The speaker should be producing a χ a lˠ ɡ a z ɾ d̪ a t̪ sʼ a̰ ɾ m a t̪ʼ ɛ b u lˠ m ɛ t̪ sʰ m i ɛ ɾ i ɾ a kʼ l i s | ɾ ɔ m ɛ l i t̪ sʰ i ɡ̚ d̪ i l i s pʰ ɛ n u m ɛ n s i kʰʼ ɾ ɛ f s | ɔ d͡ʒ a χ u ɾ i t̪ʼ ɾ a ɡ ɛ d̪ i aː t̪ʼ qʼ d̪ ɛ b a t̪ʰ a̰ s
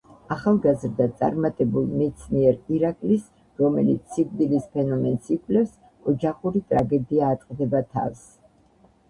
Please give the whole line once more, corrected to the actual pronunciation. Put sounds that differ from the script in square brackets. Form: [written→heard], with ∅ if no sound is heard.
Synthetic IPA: a χ a lˠ ɡ a z ɾ d̪ a t̪ sʼ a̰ ɾ m a t̪ʼ ɛ b u lˠ m ɛ t̪ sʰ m i ɛ ɾ i ɾ a kʼ l i s | ɾ ɔ m ɛ l i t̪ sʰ i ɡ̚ d̪ i l i s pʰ ɛ n [u→ɔ] m ɛ n s i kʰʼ [ɾ→l] ɛ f s | ɔ d͡ʒ a χ u ɾ i t̪ʼ ɾ a ɡ ɛ d̪ i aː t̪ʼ qʼ d̪ ɛ b a t̪ʰ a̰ s